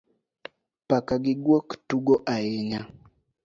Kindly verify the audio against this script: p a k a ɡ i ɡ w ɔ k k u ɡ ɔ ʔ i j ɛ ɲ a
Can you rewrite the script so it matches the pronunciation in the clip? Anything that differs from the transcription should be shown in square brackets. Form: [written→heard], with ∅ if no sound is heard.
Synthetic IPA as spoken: p a k a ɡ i ɡ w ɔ k [k→t] u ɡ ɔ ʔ [i→a] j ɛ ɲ a

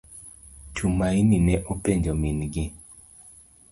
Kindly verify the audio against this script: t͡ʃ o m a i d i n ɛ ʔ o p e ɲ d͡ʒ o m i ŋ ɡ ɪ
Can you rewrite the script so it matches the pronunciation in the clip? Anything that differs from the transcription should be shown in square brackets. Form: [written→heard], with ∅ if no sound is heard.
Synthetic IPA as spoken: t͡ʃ [o→u] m a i [d→n] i n ɛ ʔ o p e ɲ d͡ʒ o m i [ŋ→n] ɡ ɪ

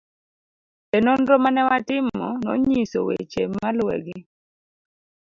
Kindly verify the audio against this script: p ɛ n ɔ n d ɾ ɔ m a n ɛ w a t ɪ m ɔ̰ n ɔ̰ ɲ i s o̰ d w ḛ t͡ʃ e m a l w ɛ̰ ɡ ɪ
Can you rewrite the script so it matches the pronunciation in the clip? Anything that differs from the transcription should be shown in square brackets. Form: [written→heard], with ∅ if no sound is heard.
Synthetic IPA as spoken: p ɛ n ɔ n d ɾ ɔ m a n ɛ w a t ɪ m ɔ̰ n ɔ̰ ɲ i s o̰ [d→∅] w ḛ t͡ʃ e m a l w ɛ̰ ɡ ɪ

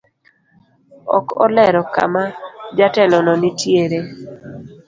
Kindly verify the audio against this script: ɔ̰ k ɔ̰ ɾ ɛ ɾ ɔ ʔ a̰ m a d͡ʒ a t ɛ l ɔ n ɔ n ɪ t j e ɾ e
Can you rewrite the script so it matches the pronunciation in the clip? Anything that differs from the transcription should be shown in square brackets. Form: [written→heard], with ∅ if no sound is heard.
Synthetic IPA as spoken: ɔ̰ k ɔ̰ [ɾ→l] ɛ ɾ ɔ [ʔ→k] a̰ m a d͡ʒ a t ɛ l ɔ n ɔ n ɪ t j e ɾ e

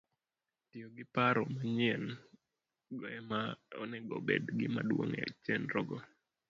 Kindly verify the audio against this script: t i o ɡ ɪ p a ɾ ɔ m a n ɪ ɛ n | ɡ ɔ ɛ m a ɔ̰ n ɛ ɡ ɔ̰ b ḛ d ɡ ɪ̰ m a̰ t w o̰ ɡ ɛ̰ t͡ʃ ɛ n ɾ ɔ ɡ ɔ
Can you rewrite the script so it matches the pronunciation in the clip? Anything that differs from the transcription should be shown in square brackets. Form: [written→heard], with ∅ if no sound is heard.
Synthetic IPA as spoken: t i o ɡ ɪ p a ɾ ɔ m a [n→ɲ] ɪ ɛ n | ɡ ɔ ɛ m a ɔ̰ n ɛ ɡ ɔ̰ b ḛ d ɡ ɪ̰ m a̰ [t→d] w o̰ [ɡ→ŋ] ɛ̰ t͡ʃ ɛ n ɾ ɔ ɡ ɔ

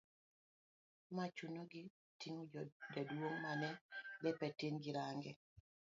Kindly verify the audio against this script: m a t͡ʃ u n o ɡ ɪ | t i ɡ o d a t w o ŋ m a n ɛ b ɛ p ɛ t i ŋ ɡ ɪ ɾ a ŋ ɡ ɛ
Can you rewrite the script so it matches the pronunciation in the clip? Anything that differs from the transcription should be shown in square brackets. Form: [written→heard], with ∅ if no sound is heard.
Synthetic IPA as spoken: m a t͡ʃ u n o ɡ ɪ | t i [ɡ→ŋ] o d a [t→d] w o ŋ m a n ɛ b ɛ p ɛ t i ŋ ɡ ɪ ɾ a ŋ ɡ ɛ

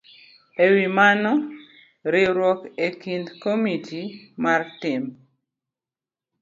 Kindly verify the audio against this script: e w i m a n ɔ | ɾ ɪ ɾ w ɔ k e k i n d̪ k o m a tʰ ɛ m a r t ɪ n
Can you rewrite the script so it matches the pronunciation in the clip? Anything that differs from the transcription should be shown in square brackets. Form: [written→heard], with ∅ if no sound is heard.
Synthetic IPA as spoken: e w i m a n ɔ | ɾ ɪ ɾ w ɔ k e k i n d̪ k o m [a→i] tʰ [ɛ→i] m a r t ɪ [n→m]

